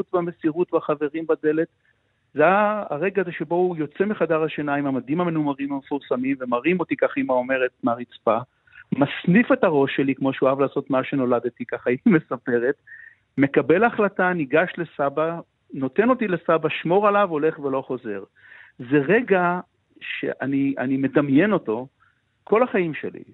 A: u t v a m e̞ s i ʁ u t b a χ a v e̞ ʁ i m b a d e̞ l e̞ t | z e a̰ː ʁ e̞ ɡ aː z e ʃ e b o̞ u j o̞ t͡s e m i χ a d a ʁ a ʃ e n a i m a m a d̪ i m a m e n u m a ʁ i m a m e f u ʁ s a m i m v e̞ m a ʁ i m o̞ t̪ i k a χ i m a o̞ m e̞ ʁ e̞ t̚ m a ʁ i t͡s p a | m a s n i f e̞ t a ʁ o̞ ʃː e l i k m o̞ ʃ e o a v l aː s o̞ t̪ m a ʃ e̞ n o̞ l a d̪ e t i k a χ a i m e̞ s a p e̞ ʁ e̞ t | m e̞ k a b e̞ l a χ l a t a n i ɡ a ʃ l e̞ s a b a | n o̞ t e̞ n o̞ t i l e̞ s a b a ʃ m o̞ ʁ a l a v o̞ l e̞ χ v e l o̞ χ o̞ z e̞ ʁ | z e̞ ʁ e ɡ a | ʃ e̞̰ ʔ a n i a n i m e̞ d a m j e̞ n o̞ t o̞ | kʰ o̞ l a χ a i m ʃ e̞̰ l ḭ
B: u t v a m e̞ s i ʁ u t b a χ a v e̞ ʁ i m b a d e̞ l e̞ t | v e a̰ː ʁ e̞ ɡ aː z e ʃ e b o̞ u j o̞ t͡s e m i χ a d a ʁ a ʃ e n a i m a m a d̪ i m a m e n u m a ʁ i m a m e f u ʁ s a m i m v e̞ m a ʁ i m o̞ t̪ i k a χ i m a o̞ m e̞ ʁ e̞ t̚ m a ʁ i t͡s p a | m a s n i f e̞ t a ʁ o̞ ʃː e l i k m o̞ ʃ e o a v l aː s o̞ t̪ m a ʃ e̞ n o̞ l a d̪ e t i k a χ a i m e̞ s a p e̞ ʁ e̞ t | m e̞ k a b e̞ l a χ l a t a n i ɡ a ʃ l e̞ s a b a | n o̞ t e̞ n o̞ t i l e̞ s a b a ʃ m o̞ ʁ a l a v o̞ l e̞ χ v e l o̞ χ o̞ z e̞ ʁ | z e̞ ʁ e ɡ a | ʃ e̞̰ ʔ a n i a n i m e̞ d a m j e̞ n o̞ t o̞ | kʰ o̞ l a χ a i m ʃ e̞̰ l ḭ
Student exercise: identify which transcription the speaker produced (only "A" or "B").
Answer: A